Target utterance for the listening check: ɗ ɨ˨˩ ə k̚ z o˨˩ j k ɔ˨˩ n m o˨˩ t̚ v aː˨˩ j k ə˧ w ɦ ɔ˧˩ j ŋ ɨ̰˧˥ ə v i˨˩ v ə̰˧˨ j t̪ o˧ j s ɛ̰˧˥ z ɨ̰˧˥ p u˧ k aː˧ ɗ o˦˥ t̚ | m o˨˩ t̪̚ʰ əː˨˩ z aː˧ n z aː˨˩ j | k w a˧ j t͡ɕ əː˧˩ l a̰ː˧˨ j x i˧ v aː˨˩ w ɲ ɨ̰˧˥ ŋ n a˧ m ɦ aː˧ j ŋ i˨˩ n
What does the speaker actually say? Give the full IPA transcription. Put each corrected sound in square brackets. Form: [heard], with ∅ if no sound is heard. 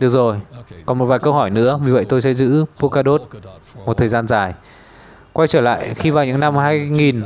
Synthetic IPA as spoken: ɗ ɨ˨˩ ə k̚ z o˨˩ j k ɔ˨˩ n m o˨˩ t̚ v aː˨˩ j k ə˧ w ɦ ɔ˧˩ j [n] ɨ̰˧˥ ə v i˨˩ v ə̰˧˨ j t̪ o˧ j s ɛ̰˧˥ z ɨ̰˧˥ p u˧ k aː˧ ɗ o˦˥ t̚ | m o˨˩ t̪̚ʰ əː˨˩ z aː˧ n z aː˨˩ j | k w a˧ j t͡ɕ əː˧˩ l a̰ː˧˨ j x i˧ v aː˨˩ w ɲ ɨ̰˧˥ ŋ n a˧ m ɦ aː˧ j ŋ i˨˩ n